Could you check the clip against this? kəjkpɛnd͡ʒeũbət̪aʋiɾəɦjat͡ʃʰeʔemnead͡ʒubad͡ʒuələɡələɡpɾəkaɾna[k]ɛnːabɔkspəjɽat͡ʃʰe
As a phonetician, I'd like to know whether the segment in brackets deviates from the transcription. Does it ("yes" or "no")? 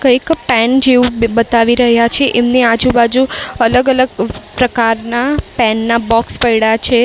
yes